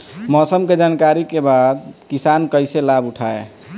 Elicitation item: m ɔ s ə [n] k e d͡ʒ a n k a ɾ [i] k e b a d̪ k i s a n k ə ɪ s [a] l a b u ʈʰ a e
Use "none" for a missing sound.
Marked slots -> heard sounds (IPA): m, i, e

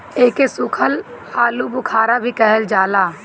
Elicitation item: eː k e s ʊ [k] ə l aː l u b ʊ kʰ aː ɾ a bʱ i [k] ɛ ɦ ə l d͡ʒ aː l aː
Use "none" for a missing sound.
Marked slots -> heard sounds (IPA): kʰ, k

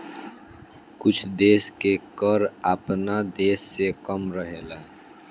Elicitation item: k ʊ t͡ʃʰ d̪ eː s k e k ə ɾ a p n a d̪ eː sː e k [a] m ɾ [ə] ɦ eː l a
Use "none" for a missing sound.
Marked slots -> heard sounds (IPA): ə, ə

